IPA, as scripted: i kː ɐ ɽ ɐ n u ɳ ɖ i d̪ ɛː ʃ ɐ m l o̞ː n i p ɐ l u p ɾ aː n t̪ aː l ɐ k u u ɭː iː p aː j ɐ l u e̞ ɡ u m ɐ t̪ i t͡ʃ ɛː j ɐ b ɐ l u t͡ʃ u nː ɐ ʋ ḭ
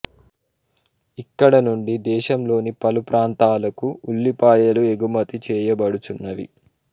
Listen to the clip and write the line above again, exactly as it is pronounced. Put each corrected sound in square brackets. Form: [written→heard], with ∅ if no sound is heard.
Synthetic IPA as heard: i kː ɐ ɽ ɐ n u ɳ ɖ i d̪ ɛː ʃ ɐ m l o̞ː n i p ɐ l u p ɾ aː n t̪ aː l ɐ k u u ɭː [iː→i] p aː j ɐ l u e̞ ɡ u m ɐ t̪ i t͡ʃ ɛː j ɐ b ɐ [l→ɽ] u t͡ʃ u nː ɐ ʋ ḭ

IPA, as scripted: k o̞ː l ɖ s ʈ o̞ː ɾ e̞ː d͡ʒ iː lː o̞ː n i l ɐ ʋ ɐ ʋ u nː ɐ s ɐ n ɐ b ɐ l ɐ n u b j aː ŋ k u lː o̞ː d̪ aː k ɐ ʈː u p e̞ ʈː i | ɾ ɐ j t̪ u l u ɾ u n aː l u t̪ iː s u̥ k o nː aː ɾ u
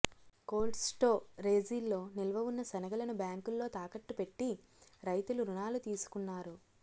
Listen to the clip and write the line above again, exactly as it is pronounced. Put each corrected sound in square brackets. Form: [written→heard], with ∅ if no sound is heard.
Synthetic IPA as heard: k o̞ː l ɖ s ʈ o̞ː ɾ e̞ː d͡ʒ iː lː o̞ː n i l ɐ ʋ ɐ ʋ u nː ɐ s ɐ n ɐ [b→ɡ] ɐ l ɐ n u b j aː ŋ k u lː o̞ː [d̪→t̪] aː k ɐ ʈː u p e̞ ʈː i | ɾ ɐ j t̪ u l u ɾ u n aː l u t̪ iː s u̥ k [o→u] nː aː ɾ u

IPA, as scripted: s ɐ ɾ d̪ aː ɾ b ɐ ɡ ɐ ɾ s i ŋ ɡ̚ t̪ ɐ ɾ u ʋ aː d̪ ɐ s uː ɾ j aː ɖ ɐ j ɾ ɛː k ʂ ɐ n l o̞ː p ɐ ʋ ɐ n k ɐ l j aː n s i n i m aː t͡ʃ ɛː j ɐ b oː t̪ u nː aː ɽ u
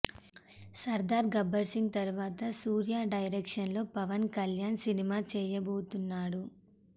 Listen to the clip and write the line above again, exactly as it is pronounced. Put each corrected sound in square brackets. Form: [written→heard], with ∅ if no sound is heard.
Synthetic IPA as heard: s ɐ ɾ d̪ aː ɾ [b→ɡ] ɐ [ɡ→b] ɐ ɾ s i ŋ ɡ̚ t̪ ɐ ɾ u ʋ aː [d̪→t̪] ɐ s uː ɾ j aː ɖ ɐ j ɾ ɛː k ʂ ɐ n l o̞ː p ɐ ʋ ɐ n k ɐ l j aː n s i n i m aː t͡ʃ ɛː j ɐ b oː t̪ u nː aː ɽ u

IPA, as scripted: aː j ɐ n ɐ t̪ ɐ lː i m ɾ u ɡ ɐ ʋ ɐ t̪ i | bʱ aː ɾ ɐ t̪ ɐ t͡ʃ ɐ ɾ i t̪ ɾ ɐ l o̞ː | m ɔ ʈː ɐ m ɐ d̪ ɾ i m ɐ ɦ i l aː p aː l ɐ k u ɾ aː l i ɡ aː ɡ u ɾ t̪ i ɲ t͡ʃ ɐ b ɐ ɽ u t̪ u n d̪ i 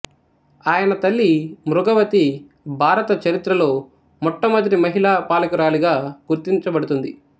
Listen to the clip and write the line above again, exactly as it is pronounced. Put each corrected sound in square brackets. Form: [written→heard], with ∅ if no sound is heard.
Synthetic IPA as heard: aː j ɐ n ɐ t̪ ɐ lː i m ɾ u ɡ ɐ ʋ ɐ t̪ i | bʱ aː ɾ ɐ t̪ ɐ t͡ʃ ɐ ɾ i t̪ ɾ ɐ l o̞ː | m ɔ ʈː ɐ m ɐ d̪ ɾ i m ɐ ɦ i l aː p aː l ɐ k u ɾ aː l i ɡ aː ɡ u ɾ t̪ i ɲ t͡ʃ ɐ b ɐ ɽ u t̪ u n d̪ i

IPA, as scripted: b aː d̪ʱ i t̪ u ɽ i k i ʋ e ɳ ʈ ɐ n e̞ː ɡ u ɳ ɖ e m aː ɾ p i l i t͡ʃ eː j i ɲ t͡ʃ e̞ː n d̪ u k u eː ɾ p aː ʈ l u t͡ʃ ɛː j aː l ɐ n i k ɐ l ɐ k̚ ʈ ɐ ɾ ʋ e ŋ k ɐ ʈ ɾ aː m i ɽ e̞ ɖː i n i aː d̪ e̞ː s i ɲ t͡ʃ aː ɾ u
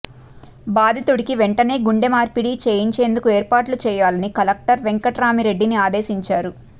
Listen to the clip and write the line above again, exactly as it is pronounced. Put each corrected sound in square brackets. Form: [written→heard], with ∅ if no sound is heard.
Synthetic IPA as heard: b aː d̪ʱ i t̪ u ɽ i k i ʋ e ɳ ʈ ɐ n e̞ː ɡ u ɳ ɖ e m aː ɾ p i [l→ɽ] i t͡ʃ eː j i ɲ t͡ʃ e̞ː n d̪ u k u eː ɾ p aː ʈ l u t͡ʃ ɛː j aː l ɐ n i k ɐ l ɐ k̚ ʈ ɐ ɾ ʋ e ŋ k ɐ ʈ ɾ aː m i [ɽ→ɾ] e̞ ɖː i n i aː d̪ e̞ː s i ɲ t͡ʃ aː ɾ u

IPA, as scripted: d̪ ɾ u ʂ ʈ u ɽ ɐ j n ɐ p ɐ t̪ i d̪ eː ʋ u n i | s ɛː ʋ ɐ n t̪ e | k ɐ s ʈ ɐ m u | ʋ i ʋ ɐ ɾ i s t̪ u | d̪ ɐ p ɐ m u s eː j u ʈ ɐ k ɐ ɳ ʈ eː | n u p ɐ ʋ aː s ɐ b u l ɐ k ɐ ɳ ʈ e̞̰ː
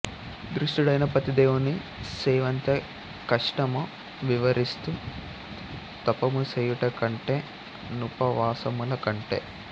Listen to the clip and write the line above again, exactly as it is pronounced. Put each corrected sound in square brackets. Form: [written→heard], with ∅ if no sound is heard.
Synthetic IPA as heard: d̪ ɾ u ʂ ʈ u ɽ ɐ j n ɐ p ɐ t̪ i d̪ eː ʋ u n i | s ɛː ʋ ɐ n t̪ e | k ɐ [s→ʂ] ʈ ɐ m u | ʋ i ʋ ɐ ɾ i s t̪ u | [d̪→t̪] ɐ p ɐ m u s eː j u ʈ ɐ k ɐ ɳ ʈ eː | n u p ɐ ʋ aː s ɐ [b→m] u l ɐ k ɐ ɳ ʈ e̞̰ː

